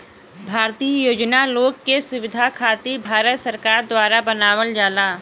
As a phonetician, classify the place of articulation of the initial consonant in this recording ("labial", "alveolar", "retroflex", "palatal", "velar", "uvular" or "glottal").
labial